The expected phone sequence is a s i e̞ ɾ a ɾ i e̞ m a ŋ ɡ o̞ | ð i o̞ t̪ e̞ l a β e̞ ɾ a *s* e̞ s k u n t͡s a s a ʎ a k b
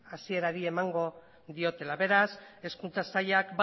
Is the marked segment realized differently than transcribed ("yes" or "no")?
no